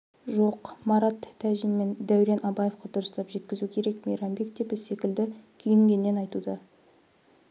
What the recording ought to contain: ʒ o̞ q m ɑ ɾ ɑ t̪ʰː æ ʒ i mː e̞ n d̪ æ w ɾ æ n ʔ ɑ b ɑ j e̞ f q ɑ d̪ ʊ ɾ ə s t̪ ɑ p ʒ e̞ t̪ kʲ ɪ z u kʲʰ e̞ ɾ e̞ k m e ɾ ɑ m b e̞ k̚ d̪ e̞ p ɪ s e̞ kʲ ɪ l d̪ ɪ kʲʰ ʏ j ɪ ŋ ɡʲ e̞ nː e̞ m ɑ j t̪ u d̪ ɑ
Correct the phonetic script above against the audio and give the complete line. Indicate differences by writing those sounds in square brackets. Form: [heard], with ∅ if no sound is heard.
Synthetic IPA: ʒ o̞ q m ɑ ɾ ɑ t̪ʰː æ ʒ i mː e̞ n d̪ æ w ɾ [e] n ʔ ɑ b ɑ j e̞ f q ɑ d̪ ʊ ɾ ə s t̪ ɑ p ʒ e̞ t̪ kʲ ɪ z u kʲʰ e̞ ɾ e̞ k m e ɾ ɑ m b e̞ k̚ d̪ e̞ p ɪ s e̞ kʲ ɪ l d̪ ɪ kʲʰ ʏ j ɪ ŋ ɡʲ e̞ nː e̞ [n] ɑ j t̪ u d̪ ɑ